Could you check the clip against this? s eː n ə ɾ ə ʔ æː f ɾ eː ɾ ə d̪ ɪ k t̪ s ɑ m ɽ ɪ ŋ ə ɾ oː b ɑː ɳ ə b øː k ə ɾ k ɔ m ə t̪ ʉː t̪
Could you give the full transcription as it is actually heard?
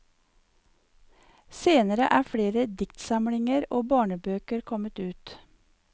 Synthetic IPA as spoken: s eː n ə ɾ ə ʔ æː f ɽ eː ɾ ə d̪ ɪ k t̪ s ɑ m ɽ ɪ ŋ ə ɾ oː b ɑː ɳ ə b øː k ə ɾ kʰ ɔ m ə t̪ ʉː t̪